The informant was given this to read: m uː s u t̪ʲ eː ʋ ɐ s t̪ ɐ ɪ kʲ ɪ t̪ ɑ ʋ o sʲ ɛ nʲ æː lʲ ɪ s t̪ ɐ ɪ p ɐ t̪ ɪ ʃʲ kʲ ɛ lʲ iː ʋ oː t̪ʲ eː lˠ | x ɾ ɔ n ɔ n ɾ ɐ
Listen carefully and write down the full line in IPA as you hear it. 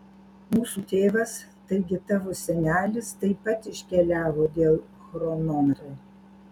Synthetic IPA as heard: m uː s u t̪ʲ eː ʋ ɐ s t̪ ɐ ɪ ɡʲ ɪ t̪ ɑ ʋ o sʲ ɛ nʲ æː lʲ ɪ s t̪ ɐ ɪ p ɐ t̪ ɪ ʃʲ kʲ ɛ lʲ æː ʋ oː d̪ʲ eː lˠ | x ɾ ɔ n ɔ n ɾ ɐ